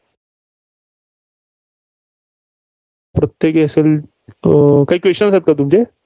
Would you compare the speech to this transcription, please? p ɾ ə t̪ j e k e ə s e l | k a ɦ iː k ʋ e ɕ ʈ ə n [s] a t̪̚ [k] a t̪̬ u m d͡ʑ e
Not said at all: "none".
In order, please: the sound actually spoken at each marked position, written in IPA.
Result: s, k

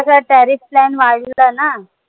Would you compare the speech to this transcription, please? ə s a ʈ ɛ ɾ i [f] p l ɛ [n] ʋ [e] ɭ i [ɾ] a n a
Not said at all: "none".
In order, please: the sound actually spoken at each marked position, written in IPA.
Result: f, n, a, l

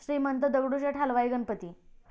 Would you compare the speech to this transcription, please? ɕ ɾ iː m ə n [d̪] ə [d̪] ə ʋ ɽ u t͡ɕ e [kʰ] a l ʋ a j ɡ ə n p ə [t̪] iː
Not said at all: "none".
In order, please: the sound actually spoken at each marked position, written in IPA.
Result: t̪, d̪, ʈʰ, t̪

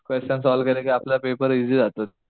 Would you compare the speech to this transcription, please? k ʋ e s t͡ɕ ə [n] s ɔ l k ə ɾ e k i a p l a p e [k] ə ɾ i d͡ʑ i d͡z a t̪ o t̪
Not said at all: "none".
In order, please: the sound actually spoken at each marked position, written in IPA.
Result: n, p

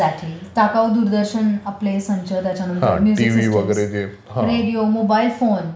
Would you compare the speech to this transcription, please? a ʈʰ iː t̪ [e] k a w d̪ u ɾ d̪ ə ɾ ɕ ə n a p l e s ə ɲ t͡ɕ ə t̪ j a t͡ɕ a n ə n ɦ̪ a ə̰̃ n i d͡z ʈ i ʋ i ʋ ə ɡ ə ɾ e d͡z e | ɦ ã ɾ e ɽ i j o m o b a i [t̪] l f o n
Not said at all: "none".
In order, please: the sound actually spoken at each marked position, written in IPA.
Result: a, none

